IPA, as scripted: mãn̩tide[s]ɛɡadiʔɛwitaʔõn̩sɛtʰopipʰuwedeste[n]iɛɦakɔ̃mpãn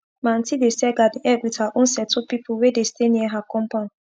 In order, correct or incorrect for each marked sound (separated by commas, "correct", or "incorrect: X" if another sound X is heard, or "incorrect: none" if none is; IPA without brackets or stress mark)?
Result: correct, correct